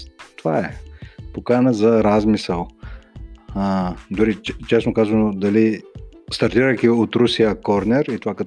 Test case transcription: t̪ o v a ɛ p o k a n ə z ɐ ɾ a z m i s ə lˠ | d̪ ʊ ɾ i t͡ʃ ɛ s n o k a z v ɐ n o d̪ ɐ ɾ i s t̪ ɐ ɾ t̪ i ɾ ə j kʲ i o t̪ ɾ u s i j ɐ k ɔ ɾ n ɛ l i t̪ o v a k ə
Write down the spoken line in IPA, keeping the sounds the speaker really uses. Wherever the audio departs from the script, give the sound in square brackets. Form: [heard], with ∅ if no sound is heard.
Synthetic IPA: t̪ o v a ɛ p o k a n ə z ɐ ɾ a z m i s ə lˠ | d̪ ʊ ɾ i t͡ʃ ɛ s n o k a z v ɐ n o d̪ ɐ [l] i s t̪ ɐ ɾ t̪ i ɾ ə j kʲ i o t̪ ɾ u s i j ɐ k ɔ ɾ n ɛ [ɾ] i t̪ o v a k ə